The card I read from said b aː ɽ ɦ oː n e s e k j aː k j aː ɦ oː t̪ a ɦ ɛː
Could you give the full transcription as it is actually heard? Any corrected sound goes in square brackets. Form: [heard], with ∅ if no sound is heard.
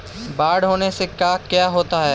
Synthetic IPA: b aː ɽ ɦ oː n e s e k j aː k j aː ɦ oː t̪ a ɦ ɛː